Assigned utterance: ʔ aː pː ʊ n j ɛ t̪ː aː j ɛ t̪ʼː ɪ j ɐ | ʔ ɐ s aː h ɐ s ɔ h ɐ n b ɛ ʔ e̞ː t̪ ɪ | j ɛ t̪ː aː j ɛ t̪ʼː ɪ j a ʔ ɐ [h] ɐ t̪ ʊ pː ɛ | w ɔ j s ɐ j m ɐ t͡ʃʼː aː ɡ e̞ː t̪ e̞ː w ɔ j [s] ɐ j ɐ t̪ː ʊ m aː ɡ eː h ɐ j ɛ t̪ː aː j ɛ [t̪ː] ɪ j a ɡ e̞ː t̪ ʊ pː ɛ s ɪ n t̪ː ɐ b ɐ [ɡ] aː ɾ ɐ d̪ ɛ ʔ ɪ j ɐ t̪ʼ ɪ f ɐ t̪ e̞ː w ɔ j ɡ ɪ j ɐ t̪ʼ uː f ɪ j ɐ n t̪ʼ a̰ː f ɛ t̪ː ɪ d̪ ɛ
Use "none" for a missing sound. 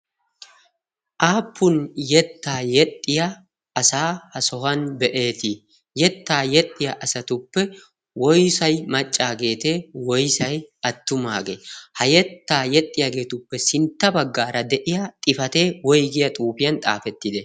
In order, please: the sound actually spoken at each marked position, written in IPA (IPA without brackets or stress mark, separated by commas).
s, s, t̪ʼː, ɡː